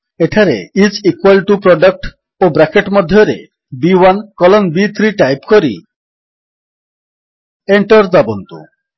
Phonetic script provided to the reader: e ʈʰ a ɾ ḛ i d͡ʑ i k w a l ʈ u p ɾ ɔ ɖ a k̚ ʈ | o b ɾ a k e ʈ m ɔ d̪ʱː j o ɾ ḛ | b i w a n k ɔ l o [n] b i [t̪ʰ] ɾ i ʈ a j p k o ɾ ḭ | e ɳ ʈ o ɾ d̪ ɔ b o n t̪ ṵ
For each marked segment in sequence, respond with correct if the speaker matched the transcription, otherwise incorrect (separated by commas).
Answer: correct, correct